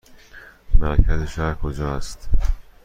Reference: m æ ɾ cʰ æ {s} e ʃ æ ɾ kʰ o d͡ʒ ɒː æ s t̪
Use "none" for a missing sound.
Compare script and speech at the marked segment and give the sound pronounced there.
z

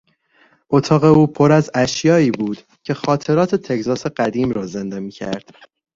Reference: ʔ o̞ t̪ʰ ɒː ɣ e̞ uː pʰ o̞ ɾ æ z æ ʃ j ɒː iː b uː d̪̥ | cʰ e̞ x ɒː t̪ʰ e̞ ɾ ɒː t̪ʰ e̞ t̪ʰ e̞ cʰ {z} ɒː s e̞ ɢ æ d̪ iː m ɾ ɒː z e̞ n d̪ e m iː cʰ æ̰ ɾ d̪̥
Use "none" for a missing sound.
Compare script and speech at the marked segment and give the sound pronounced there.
z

